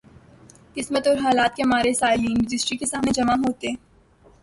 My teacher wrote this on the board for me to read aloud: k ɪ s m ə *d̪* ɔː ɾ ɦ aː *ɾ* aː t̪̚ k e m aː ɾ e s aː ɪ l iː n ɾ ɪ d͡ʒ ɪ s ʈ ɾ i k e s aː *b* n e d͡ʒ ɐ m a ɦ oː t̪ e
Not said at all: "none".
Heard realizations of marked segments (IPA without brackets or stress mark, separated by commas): t̪, l, m